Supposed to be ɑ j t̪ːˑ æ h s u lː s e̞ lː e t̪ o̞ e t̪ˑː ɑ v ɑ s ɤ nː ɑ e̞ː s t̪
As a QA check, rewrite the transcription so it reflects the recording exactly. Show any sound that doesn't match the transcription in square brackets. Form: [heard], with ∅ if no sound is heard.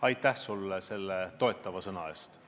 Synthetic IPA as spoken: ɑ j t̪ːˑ æ h s u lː s e̞ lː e t̪ o̞ e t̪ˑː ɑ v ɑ s ɤ [n] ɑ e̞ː s t̪